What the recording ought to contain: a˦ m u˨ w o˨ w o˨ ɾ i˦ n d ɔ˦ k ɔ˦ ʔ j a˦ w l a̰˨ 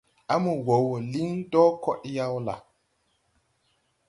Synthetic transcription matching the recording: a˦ m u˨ w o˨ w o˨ l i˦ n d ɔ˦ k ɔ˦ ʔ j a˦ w l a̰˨

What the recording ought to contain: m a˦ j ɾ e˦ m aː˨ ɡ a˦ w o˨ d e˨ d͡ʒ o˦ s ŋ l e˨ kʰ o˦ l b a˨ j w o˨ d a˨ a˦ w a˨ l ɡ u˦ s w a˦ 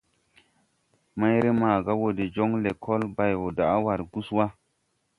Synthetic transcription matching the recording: m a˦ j ɾ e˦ m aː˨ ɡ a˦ w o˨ d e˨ d͡ʒ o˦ ŋ l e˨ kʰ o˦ l b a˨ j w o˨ d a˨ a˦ w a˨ ɾ ɡ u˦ s w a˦

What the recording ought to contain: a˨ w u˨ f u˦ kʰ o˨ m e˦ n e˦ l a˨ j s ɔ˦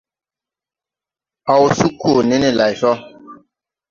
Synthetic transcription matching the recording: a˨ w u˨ s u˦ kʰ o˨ n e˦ n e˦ l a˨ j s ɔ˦

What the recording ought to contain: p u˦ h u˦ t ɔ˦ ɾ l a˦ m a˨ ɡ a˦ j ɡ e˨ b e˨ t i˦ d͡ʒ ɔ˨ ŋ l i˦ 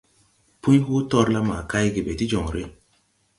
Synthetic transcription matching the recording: p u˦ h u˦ t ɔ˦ ɾ l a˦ m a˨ k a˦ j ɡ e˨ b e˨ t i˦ d͡ʒ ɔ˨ ŋ ɾ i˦

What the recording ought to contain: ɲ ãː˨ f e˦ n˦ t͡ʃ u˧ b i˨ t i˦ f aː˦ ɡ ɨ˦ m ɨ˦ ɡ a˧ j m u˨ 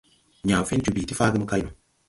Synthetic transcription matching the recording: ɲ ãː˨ f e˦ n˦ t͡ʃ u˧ b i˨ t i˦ f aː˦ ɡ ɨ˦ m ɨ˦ k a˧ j n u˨

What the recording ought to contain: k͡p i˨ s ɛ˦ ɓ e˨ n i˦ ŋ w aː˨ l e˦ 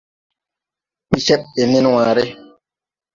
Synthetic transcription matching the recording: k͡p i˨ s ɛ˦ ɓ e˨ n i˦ n w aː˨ ɾ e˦

